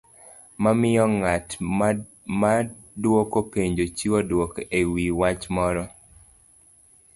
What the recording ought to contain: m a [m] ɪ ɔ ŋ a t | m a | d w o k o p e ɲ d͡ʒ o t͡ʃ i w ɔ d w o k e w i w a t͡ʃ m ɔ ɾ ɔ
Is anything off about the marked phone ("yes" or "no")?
no